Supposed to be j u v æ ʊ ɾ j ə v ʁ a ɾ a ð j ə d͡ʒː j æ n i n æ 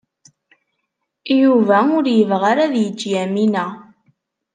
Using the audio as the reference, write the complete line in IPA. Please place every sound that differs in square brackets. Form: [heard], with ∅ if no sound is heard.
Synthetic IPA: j u v æ ʊ ɾ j ə v ʁ a ɾ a ð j ə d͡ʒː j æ [m] i n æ

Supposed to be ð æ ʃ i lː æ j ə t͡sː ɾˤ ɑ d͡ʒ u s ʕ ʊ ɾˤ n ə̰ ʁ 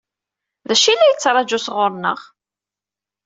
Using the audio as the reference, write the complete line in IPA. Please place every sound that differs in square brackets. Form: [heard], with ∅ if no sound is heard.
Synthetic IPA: ð æ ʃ i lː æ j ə t͡sː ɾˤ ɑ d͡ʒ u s [ʁ] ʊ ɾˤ n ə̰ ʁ

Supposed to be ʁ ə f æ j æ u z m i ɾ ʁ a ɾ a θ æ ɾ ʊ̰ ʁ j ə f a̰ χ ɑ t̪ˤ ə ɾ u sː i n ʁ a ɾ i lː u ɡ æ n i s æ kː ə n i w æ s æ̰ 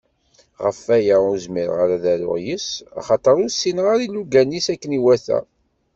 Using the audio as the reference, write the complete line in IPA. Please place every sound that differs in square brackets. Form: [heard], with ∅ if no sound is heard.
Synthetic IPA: ʁ ə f æ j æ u z m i ɾ ʁ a ɾ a [ð] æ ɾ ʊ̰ ʁ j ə [s] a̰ χ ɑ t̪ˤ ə ɾ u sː i n ʁ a ɾ i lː u ɡ æ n i s æ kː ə n i w æ [θ] æ̰

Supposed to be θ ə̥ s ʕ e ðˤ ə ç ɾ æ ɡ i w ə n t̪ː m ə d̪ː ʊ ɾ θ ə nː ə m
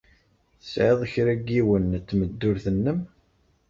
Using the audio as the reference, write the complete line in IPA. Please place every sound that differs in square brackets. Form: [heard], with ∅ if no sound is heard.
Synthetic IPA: θ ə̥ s ʕ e ðˤ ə ç ɾ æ ɡ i w ə n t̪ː m ə d̪ː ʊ ɾ θ ə nː ə m

